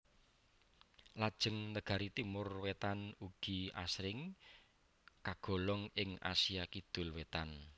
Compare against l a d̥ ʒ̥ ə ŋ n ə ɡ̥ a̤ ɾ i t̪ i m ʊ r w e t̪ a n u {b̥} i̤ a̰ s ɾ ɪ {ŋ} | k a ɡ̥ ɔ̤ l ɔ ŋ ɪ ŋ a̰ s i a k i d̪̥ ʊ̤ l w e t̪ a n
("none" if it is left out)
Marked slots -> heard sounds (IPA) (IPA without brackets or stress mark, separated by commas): ɡ̥, ŋ